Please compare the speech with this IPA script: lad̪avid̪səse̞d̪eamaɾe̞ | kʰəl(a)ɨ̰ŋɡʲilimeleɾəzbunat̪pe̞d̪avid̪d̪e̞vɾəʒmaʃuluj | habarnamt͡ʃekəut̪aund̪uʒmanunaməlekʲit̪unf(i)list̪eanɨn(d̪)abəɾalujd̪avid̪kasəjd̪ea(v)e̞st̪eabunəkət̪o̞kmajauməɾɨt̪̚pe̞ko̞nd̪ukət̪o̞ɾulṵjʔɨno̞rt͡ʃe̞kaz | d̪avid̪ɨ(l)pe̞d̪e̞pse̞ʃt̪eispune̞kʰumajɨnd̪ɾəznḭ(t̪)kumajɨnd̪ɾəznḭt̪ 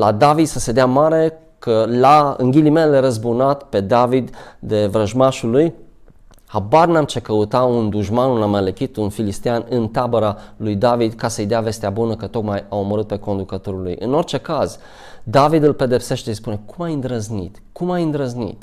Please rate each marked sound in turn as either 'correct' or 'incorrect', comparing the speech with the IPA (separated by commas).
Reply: correct, correct, incorrect, correct, correct, correct